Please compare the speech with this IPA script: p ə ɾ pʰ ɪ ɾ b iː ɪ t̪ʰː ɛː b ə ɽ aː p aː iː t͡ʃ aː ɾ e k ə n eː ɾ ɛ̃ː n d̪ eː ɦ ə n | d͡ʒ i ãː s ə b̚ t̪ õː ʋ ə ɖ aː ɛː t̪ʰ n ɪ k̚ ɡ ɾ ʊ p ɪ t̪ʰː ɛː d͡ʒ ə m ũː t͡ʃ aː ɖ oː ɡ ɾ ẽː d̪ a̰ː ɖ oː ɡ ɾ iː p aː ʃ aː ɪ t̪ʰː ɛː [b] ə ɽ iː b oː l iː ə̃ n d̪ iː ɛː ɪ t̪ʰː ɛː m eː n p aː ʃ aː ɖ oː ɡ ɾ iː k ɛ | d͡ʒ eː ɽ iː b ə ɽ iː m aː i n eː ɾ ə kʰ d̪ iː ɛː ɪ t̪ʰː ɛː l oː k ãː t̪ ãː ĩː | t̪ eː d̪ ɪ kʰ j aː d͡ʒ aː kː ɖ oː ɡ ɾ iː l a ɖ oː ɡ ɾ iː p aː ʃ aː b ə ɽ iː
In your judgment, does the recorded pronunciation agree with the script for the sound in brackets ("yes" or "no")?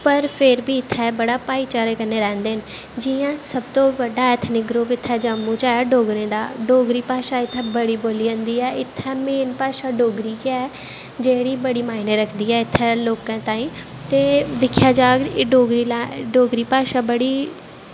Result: yes